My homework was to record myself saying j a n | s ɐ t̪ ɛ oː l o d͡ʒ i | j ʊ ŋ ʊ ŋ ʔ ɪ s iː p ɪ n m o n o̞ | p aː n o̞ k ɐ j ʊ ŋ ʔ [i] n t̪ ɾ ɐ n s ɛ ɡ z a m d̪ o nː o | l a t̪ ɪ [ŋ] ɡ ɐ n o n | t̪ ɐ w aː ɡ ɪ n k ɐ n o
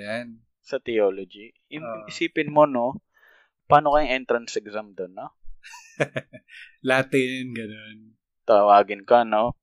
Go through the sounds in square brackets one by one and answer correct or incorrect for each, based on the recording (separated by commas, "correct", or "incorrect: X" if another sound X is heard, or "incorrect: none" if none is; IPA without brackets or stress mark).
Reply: incorrect: ɛ, incorrect: n